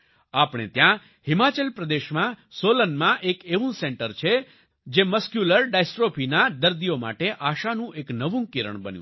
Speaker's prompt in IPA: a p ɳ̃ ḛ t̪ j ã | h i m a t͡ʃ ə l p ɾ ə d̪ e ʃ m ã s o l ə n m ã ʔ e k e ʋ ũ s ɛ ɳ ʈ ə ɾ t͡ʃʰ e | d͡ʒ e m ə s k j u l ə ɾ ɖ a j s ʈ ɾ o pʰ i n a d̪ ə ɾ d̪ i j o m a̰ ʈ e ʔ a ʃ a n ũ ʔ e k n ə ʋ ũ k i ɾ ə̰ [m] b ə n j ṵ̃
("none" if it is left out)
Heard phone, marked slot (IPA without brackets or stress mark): ɳ